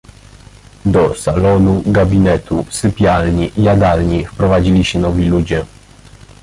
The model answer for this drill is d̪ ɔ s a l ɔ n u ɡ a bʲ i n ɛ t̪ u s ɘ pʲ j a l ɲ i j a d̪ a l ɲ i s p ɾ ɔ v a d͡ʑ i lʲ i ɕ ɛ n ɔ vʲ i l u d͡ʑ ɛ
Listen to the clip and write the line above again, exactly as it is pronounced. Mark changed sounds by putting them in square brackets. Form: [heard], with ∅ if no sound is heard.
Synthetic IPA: d̪ ɔ s a l ɔ n u ɡ a bʲ i n ɛ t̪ u s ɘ pʲ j a l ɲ i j a d̪ a l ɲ i [f] p ɾ ɔ v a d͡ʑ i lʲ i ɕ ɛ n ɔ vʲ i l u d͡ʑ ɛ